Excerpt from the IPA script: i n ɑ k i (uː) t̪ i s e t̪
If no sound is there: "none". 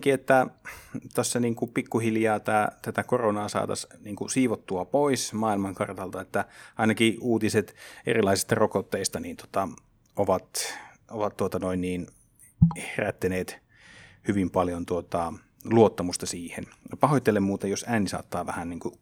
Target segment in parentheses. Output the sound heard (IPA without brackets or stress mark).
uː